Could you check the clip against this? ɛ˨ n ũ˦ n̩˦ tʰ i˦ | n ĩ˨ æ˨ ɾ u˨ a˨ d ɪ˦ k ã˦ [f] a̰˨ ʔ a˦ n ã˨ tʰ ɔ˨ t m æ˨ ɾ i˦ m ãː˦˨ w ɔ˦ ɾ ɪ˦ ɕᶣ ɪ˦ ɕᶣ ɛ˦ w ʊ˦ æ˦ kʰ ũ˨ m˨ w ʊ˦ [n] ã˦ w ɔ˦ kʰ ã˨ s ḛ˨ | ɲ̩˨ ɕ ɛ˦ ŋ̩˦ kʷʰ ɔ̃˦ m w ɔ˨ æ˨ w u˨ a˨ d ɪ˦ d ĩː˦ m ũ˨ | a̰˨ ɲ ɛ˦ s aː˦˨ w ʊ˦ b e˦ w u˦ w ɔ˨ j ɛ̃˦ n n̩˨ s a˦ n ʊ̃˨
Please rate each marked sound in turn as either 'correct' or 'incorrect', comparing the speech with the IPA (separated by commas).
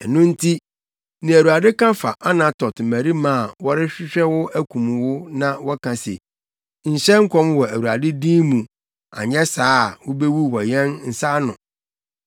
correct, correct